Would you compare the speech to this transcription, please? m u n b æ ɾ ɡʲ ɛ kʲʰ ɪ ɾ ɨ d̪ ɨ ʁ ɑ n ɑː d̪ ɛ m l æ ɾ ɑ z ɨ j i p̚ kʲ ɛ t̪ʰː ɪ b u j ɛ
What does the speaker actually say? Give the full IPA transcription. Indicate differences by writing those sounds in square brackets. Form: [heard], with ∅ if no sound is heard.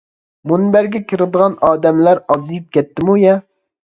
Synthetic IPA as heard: m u n b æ ɾ ɡʲ ɛ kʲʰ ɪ ɾ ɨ d̪ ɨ ʁ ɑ n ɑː d̪ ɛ m l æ ɾ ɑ z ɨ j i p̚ kʲ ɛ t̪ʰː ɪ [m] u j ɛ